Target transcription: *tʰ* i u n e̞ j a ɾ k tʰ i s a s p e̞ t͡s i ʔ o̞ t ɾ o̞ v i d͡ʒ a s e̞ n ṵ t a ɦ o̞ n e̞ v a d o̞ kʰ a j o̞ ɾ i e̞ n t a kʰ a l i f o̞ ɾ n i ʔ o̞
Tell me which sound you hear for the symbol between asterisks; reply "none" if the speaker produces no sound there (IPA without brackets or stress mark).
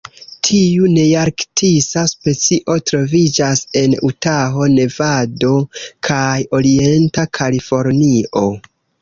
tʰ